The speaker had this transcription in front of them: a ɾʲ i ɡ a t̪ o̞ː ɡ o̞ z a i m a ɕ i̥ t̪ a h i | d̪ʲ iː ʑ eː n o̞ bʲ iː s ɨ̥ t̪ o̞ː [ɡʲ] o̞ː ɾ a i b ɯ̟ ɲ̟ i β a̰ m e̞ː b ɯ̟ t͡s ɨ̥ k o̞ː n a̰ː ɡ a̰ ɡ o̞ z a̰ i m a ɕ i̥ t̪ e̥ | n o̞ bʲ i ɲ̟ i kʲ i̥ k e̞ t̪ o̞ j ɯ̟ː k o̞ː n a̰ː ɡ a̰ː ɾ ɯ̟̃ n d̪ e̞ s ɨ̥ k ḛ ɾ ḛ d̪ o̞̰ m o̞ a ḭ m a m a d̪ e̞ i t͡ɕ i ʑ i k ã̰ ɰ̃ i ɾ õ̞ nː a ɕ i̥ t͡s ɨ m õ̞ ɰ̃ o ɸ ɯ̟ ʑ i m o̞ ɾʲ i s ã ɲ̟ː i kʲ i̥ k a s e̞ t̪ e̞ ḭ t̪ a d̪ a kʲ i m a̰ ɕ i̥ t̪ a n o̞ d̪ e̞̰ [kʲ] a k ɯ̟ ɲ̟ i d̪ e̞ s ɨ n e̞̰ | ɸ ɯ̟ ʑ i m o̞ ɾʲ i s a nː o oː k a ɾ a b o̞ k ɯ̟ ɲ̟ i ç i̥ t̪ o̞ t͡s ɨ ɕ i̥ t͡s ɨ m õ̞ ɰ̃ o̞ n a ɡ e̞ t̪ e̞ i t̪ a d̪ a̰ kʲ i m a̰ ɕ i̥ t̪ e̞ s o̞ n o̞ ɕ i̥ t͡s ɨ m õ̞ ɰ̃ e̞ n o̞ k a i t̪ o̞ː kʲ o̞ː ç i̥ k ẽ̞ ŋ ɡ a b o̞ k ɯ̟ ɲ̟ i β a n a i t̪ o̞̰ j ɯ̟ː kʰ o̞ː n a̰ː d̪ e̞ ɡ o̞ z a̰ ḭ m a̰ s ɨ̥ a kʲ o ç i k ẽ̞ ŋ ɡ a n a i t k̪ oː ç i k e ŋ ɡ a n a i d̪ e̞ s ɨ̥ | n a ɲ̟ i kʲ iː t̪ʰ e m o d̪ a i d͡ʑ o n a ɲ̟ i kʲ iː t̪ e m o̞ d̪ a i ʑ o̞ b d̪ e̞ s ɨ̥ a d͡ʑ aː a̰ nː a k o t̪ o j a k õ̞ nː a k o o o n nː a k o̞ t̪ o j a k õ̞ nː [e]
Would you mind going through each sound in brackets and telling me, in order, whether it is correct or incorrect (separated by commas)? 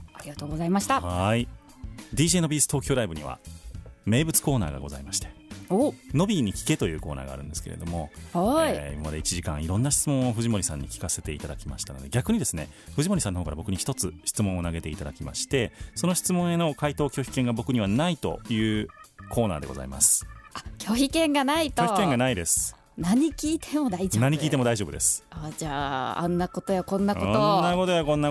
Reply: incorrect, incorrect, incorrect